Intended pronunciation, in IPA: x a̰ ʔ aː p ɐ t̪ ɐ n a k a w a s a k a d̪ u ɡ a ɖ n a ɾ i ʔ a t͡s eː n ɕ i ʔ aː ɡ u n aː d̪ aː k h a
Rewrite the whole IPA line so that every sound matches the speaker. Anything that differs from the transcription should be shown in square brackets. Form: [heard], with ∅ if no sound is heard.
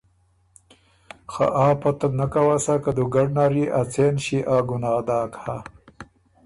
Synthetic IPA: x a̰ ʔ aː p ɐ t̪ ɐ n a k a w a s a k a d̪ u ɡ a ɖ n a ɾ i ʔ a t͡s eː n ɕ i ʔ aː ɡ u n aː d̪ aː k h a